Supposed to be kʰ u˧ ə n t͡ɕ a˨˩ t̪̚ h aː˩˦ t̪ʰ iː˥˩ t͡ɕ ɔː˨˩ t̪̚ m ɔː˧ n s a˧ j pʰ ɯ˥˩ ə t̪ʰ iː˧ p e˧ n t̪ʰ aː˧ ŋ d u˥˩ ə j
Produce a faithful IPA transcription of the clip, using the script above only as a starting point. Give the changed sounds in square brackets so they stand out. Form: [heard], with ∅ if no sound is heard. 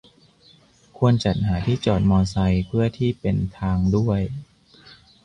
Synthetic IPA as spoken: kʰ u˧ ə n t͡ɕ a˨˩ t̪̚ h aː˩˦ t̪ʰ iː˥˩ t͡ɕ ɔː˨˩ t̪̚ m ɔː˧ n s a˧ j pʰ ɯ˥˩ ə t̪ʰ [iː˥˩] p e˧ n t̪ʰ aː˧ ŋ d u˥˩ ə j